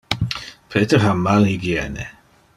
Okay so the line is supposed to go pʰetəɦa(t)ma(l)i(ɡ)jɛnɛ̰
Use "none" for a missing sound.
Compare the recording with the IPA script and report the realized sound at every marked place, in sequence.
none, l, ɡ

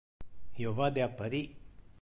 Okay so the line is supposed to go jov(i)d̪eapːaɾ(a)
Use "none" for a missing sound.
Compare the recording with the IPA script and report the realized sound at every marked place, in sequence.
a, i

